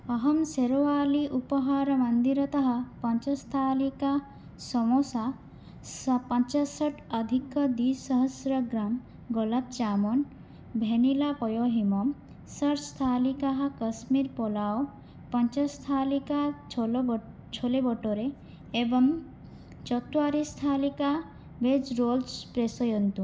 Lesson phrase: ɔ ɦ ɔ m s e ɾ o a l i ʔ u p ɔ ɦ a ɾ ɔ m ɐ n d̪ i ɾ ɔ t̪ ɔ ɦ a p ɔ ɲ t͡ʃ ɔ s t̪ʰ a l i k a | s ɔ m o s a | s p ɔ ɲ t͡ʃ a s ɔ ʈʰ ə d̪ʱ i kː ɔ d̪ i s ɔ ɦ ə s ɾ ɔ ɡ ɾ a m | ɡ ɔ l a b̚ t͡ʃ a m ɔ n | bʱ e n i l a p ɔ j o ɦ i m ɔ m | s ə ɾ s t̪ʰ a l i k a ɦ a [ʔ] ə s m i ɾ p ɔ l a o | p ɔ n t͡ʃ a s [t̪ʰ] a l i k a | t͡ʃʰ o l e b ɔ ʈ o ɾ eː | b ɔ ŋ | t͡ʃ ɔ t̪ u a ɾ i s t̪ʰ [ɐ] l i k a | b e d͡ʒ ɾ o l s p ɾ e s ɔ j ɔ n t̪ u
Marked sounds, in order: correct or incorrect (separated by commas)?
incorrect, correct, incorrect